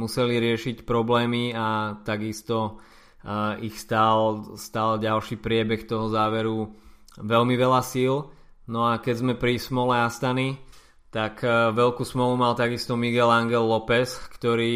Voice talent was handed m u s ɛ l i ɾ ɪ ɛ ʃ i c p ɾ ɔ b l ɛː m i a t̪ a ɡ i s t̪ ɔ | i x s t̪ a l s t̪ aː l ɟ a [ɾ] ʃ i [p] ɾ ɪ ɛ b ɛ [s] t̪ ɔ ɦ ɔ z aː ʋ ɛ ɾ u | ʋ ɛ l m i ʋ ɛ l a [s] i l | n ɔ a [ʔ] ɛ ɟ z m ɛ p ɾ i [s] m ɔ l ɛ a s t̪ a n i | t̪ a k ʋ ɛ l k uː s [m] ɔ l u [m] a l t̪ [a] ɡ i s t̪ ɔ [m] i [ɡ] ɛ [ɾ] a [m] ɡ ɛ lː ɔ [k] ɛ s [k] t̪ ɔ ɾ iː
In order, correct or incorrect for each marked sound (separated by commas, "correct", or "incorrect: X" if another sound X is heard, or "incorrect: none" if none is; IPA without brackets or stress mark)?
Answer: incorrect: l, correct, incorrect: x, correct, incorrect: k, correct, correct, correct, correct, correct, correct, incorrect: l, incorrect: ŋ, incorrect: p, correct